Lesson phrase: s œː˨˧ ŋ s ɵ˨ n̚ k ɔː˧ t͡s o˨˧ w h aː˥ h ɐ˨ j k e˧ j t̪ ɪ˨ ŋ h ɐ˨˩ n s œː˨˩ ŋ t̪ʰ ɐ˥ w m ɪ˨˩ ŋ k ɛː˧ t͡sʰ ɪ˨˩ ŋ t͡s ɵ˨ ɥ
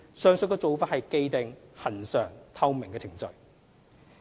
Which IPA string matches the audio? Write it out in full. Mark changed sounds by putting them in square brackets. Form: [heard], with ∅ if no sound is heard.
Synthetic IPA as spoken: s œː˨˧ ŋ s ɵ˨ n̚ k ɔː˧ t͡s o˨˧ w [f] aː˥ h ɐ˨ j k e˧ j t̪ ɪ˨ ŋ h ɐ˨˩ n s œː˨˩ ŋ t̪ʰ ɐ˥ w m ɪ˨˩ ŋ k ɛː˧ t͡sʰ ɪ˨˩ ŋ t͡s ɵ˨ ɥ